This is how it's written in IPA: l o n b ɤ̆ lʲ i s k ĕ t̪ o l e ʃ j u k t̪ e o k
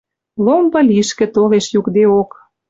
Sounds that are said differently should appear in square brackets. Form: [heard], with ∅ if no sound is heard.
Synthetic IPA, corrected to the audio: l o [m] b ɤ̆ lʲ i [ʃ] k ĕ t̪ o l e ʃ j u k [d̪] e o k